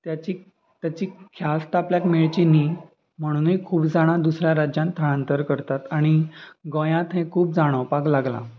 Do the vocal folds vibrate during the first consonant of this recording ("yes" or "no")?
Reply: no